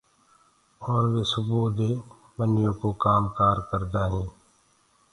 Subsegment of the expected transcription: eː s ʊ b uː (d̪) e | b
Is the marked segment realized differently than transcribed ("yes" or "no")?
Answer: no